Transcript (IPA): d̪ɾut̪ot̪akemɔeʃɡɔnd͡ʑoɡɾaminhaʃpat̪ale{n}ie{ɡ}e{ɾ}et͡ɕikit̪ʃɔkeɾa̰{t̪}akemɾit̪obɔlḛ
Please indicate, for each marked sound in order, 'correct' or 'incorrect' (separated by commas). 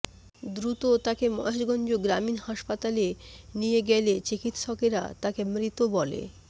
correct, correct, incorrect, correct